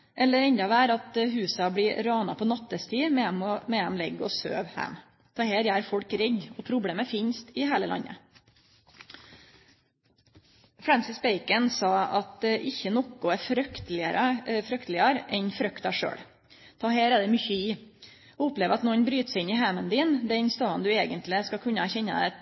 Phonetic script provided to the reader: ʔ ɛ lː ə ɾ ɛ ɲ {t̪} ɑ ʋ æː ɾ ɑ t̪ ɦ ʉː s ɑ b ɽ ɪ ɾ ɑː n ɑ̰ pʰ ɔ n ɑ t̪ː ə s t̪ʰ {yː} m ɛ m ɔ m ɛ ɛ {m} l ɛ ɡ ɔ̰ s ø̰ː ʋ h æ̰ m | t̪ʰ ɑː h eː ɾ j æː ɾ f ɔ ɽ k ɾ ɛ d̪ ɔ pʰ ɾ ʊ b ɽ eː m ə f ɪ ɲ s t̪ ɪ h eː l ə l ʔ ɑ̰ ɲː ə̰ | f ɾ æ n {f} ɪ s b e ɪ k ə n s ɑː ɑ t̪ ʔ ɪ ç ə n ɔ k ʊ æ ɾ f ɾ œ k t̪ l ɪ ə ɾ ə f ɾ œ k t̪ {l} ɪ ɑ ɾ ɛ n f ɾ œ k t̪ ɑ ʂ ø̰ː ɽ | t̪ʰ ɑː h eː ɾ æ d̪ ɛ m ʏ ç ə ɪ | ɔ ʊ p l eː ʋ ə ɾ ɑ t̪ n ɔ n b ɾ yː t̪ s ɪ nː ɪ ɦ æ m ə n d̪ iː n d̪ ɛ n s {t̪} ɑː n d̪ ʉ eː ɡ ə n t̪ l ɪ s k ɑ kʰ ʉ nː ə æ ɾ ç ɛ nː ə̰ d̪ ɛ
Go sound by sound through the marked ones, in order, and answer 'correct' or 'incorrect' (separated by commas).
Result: incorrect, incorrect, correct, incorrect, correct, correct